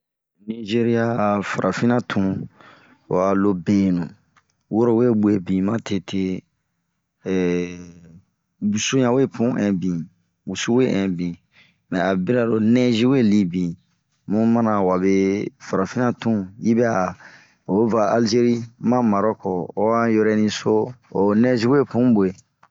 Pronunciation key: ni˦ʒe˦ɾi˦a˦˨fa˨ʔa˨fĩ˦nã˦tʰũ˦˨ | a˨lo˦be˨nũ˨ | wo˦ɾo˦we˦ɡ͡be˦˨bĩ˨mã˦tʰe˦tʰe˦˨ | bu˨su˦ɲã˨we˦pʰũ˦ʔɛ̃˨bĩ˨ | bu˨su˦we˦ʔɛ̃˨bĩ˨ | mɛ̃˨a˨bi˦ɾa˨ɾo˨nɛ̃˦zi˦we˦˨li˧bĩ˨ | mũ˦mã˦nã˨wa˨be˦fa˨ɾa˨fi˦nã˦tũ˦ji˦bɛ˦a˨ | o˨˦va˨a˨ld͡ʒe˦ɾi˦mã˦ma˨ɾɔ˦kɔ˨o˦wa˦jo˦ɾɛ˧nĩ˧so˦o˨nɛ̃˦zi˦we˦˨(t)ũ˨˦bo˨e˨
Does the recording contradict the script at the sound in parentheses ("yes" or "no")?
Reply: yes